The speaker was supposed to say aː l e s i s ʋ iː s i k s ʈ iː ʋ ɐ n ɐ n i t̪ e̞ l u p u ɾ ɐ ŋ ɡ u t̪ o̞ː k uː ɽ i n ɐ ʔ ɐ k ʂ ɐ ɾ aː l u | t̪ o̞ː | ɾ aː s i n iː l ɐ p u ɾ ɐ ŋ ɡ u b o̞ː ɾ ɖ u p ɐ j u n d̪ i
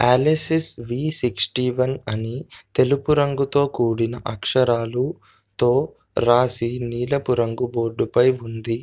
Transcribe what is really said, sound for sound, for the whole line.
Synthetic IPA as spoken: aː l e s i s ʋ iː s i k s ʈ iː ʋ ɐ n ɐ n i t̪ e̞ l u p u ɾ ɐ ŋ ɡ u t̪ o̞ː k uː ɽ i n ɐ ʔ ɐ k ʂ ɐ ɾ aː l u | t̪ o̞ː | ɾ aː s i n iː l ɐ p u ɾ ɐ ŋ ɡ u b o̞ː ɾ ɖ u p ɐ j u n d̪ i